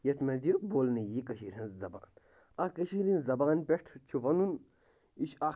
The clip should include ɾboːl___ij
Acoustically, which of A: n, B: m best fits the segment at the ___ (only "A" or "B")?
A